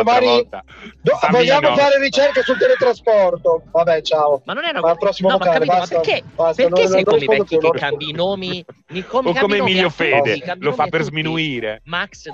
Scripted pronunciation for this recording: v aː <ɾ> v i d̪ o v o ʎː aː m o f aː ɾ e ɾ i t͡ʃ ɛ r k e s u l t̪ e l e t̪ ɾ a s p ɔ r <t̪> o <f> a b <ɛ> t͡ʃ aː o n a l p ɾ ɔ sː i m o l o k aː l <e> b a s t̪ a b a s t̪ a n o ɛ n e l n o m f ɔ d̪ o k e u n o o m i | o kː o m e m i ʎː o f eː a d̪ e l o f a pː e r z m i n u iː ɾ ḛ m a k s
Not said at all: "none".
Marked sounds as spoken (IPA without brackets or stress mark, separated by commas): ɾ, t̪, v, ɛ, e